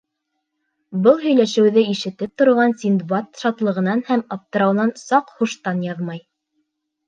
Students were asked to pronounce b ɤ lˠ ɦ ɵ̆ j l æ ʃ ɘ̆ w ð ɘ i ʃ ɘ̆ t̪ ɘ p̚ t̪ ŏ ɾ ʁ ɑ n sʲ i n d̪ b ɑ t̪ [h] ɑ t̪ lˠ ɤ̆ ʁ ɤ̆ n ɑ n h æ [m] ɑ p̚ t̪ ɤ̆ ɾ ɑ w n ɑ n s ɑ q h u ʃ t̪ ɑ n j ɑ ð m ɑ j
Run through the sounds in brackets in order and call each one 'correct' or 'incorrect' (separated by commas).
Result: incorrect, correct